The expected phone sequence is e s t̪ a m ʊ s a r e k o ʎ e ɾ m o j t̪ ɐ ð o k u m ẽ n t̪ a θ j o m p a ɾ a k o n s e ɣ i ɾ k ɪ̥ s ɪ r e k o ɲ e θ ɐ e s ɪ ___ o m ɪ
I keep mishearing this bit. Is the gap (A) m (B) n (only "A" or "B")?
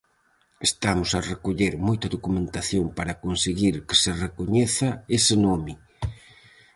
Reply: B